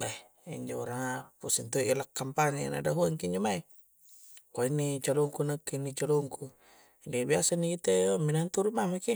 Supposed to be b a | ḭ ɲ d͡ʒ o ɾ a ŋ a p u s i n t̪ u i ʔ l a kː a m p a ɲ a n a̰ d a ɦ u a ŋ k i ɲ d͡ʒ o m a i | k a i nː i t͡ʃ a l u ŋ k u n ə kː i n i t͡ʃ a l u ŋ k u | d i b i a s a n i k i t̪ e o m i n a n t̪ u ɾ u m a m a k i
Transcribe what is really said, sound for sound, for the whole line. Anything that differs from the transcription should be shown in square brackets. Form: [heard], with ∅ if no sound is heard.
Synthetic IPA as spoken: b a | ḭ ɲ d͡ʒ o ɾ a ŋ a p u s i n t̪ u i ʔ l a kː a m p a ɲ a n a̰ d a ɦ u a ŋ k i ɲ d͡ʒ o m a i | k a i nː i t͡ʃ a l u ŋ k u n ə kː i n i t͡ʃ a l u ŋ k u | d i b i a s a n i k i t̪ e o m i n a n t̪ u ɾ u m a m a k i